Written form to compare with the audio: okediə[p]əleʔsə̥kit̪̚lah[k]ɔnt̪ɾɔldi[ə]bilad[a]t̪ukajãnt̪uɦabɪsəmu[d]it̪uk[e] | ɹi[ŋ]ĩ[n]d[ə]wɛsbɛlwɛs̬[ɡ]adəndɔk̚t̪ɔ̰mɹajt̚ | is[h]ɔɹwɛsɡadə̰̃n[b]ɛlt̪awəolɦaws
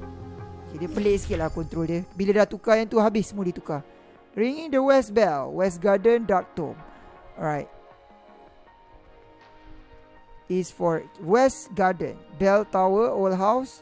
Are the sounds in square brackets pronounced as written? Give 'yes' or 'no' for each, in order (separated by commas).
yes, yes, yes, yes, yes, no, yes, no, yes, yes, no, yes